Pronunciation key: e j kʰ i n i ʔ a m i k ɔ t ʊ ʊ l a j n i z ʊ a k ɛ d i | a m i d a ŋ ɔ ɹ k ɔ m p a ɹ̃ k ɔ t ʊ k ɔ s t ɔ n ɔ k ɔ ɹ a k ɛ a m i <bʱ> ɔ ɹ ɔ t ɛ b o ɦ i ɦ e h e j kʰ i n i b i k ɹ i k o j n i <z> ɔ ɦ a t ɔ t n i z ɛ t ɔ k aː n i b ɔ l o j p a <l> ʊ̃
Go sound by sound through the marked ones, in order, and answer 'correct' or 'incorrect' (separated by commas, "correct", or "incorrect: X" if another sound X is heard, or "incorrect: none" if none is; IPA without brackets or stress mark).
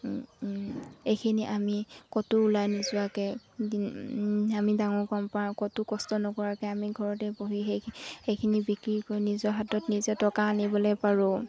incorrect: ɡʱ, correct, incorrect: ɹ